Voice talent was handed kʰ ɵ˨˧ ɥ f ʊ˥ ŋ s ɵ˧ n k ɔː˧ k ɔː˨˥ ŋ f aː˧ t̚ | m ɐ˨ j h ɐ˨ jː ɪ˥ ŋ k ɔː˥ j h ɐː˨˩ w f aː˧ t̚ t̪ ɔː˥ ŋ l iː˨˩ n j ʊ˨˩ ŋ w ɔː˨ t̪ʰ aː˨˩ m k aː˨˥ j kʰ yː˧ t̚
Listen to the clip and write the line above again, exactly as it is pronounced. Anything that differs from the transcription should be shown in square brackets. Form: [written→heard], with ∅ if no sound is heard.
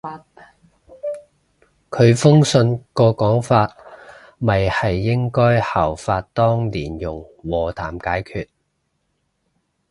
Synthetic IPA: kʰ ɵ˨˧ ɥ f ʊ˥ ŋ s ɵ˧ n k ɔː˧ k ɔː˨˥ ŋ f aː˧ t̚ | m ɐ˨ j h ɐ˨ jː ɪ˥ ŋ k ɔː˥ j h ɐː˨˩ w f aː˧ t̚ t̪ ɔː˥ ŋ l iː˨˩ n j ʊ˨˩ ŋ w ɔː˨ t̪ʰ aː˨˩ m k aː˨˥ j kʰ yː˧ t̚